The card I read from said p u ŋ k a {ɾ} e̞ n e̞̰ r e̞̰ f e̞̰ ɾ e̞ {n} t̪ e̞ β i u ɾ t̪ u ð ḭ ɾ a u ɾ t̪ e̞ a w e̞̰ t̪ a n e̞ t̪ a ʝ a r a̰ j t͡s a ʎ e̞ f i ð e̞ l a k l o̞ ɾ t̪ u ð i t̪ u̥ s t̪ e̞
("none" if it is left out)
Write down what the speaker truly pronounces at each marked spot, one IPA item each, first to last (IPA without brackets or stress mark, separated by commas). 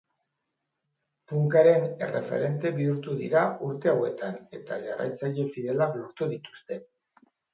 ɾ, n